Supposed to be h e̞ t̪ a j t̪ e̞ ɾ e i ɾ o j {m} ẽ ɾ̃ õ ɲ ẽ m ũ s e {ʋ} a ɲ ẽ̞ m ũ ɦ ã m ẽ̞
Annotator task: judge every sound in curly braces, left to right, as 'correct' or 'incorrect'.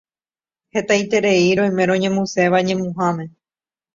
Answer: correct, correct

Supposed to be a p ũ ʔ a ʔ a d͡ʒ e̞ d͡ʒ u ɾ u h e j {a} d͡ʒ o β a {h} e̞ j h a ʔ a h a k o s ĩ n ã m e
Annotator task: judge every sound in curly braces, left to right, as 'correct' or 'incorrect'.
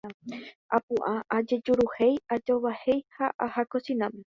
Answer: correct, correct

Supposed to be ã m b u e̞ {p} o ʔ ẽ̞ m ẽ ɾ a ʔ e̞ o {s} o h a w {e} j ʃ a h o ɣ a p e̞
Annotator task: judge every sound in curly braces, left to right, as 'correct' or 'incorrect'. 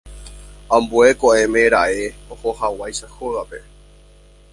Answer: incorrect: k, incorrect: h, incorrect: a

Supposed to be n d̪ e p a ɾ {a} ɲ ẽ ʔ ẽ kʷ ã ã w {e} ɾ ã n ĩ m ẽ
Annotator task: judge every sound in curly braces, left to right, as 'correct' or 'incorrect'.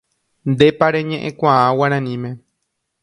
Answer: incorrect: e, incorrect: a

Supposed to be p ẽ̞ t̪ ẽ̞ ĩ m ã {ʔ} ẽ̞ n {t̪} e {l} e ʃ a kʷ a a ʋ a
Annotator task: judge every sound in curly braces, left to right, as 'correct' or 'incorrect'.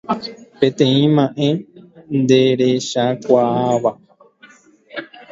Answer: correct, incorrect: d̪, incorrect: ɾ

